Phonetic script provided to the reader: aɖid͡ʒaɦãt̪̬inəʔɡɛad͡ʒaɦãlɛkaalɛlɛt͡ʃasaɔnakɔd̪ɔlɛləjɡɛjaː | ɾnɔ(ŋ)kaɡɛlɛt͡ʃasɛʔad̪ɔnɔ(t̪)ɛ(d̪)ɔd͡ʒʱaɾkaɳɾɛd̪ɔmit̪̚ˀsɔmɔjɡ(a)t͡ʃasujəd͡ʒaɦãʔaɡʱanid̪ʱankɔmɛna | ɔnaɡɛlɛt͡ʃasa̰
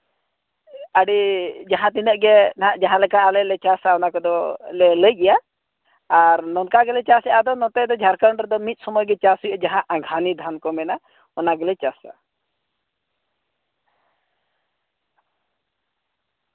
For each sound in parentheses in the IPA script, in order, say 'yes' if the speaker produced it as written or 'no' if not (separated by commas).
no, yes, yes, no